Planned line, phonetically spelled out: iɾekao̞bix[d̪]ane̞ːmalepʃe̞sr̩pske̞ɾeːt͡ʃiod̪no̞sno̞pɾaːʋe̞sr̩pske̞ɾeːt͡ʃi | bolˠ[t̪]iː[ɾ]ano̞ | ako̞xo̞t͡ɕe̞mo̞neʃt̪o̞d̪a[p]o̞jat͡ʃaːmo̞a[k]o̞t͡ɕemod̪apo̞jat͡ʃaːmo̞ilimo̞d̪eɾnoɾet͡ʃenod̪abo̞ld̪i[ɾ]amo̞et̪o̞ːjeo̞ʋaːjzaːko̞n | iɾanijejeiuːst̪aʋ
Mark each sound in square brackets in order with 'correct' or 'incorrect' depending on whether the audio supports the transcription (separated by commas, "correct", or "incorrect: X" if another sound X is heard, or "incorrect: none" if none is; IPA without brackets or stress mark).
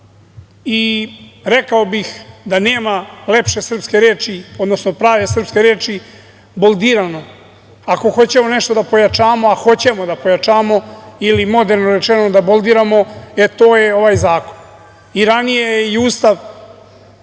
correct, incorrect: d̪, correct, correct, incorrect: x, correct